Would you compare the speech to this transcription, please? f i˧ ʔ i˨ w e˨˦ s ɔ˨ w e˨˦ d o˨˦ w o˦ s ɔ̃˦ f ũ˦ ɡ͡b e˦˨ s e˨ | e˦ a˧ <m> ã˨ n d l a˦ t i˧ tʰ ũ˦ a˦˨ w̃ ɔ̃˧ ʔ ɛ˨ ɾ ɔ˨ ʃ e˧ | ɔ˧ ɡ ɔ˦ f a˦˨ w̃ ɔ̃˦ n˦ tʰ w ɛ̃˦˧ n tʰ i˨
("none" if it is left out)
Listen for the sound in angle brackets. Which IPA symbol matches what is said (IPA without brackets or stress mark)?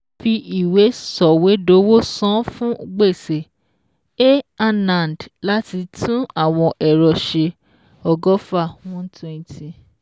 n